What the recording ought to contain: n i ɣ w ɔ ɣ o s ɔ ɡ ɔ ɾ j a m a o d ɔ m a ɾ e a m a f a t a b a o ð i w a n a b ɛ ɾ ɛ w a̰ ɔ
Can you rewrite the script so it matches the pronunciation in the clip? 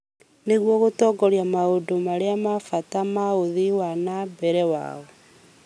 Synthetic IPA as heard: n e ɣ w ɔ ɣ o t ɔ ɡ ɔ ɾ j a m a o d o m a ɾ e a m a f a t a m a o ð i w a n a b ɛ ɾ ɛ w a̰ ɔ

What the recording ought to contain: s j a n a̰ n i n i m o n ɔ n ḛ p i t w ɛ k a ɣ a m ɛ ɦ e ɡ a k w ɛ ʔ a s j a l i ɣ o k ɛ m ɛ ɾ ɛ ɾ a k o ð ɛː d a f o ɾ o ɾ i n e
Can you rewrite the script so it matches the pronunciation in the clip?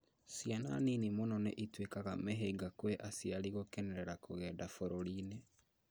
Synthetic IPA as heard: s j a n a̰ n i n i m o n ɔ n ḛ ʔ i t w e k a ɣ a m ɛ ɦ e ɡ a k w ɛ ʔ a s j a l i ɣ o k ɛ n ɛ ɾ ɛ ɾ a k o ɣ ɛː d a f o ɾ o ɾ i n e

